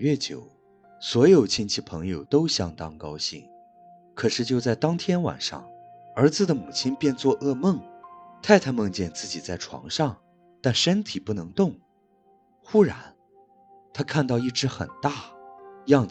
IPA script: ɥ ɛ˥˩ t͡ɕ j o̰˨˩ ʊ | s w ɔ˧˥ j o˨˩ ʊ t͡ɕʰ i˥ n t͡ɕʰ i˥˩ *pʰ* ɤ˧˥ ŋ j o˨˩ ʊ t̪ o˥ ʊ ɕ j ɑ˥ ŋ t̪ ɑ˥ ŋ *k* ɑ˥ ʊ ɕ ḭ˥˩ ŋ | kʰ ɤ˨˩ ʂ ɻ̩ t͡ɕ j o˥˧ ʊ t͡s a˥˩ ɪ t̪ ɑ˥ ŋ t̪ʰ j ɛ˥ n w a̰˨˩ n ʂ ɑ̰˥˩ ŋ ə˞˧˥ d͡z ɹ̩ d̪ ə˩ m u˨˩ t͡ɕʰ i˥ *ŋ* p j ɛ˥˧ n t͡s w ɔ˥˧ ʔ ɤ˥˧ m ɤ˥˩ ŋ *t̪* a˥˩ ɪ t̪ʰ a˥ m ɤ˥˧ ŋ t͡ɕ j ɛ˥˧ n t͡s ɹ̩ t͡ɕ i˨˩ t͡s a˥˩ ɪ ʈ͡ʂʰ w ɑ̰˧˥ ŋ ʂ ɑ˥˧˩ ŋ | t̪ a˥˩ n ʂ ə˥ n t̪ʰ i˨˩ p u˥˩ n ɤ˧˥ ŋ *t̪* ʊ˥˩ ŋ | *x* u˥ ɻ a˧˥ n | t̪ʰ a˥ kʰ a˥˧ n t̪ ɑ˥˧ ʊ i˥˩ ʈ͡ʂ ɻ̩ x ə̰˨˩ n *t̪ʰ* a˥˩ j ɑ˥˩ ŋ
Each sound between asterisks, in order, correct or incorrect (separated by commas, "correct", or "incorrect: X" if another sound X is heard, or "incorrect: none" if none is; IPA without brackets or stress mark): correct, correct, incorrect: n, incorrect: t̪ʰ, correct, correct, incorrect: t̪